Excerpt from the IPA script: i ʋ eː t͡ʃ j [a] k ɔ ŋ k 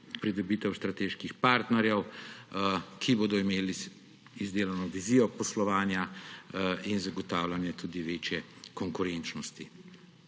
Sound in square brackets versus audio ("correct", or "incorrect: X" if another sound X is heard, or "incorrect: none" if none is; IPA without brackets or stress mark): incorrect: ɛ